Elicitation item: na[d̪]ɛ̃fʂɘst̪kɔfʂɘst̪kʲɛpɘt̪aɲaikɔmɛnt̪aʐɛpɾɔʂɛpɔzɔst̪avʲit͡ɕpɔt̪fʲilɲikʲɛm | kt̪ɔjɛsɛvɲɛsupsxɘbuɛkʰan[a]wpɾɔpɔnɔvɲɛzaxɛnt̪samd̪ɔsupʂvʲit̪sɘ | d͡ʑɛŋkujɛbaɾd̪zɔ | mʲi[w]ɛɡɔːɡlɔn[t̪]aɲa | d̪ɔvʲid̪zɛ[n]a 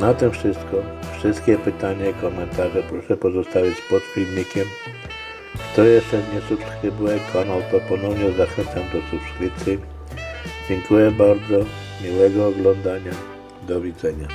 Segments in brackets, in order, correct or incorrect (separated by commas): incorrect, correct, correct, incorrect, incorrect